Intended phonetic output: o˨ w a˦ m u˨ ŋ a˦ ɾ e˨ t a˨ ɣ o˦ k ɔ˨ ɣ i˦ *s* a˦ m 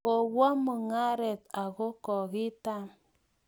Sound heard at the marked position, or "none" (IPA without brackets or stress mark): t